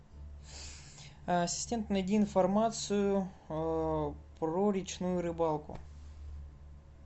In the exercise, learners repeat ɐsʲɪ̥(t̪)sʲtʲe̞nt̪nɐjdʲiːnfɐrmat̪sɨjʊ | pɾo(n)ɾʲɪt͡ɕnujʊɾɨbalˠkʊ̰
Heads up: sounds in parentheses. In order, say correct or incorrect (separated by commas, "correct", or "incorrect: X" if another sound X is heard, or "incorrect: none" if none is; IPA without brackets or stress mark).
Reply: incorrect: none, incorrect: none